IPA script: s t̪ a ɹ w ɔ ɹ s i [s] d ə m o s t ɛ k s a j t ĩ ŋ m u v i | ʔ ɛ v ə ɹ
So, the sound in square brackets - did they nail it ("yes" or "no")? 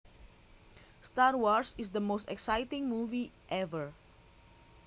yes